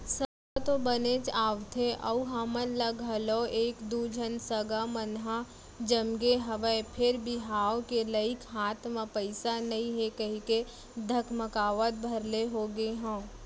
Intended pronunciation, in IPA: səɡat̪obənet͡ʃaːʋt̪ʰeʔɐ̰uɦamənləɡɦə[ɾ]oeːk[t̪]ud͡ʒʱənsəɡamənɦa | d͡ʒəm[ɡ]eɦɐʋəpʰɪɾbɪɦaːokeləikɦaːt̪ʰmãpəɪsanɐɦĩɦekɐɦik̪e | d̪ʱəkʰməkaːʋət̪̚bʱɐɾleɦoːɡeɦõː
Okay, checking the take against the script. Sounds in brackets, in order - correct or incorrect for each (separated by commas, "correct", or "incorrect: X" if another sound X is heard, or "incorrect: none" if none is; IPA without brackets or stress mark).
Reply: incorrect: l, incorrect: d̪, correct